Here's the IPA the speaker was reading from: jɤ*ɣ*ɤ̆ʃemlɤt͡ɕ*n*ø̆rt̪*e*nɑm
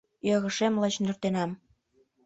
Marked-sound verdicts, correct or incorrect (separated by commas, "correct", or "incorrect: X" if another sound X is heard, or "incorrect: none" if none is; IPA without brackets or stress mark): correct, correct, correct